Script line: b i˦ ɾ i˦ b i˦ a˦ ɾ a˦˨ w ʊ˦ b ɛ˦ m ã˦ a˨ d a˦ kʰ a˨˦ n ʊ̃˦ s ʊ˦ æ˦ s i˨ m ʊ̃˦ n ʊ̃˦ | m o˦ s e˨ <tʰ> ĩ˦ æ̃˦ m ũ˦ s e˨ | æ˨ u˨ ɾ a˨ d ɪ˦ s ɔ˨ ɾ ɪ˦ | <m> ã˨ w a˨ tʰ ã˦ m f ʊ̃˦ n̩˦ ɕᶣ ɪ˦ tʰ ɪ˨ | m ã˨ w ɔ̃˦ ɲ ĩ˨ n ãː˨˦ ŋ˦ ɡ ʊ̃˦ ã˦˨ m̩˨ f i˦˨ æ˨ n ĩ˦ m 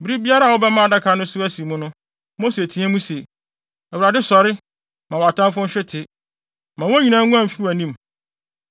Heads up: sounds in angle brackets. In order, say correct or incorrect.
correct, correct

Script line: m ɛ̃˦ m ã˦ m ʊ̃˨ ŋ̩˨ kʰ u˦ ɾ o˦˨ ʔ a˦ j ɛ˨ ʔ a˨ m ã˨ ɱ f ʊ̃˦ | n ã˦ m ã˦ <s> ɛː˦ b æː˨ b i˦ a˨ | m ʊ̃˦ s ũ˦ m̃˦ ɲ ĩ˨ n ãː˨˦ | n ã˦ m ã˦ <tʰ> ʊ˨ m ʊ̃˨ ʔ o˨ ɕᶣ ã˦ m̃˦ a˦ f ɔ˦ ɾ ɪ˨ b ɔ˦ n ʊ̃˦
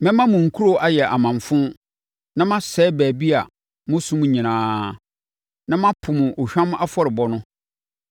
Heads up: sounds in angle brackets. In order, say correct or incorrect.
correct, incorrect

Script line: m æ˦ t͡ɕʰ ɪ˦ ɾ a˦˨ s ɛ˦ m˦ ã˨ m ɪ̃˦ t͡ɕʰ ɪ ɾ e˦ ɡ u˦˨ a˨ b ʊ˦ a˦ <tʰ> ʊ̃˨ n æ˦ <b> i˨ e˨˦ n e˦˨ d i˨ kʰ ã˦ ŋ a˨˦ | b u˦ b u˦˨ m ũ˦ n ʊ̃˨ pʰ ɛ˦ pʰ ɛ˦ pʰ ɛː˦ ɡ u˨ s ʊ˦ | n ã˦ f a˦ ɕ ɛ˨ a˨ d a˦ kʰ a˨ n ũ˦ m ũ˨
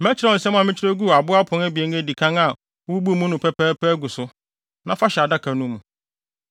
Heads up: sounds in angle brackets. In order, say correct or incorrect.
incorrect, correct

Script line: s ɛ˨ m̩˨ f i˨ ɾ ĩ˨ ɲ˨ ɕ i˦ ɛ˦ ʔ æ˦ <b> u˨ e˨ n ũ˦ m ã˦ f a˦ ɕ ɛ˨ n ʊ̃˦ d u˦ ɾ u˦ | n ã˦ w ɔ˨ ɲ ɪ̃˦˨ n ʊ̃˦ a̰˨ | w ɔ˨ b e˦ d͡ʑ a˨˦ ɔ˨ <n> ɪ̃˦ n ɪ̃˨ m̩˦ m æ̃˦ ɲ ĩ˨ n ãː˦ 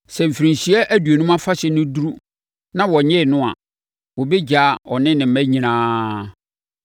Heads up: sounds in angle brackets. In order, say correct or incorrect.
incorrect, correct

